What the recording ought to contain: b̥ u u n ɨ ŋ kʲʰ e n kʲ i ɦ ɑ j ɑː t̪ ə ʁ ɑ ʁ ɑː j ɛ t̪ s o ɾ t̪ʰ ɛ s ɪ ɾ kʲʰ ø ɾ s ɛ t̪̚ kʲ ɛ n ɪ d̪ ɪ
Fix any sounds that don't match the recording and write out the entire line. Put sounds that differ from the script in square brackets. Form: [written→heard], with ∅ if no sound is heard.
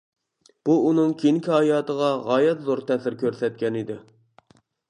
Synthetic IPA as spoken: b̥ u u n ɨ ŋ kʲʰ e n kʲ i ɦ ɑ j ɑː t̪ ə ʁ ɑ ʁ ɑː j ɛ t̪ [s→z] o ɾ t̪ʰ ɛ s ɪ ɾ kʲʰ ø ɾ s ɛ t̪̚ kʲ ɛ n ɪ d̪ ɪ